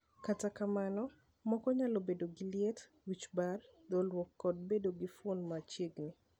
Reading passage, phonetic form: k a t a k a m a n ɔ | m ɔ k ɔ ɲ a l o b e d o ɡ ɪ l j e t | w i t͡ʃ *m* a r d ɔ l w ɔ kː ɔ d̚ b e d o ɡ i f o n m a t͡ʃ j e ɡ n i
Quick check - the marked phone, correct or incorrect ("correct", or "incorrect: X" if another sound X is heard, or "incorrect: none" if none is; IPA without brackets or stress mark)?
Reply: incorrect: b